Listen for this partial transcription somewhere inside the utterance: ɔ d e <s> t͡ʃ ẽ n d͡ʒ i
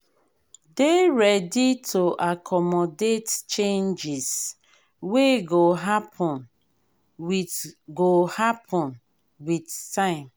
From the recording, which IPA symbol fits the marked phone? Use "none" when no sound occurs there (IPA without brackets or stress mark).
t